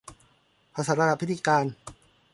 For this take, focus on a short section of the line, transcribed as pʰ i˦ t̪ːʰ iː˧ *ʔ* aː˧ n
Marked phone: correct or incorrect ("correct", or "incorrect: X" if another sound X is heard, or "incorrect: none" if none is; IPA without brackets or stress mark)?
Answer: incorrect: k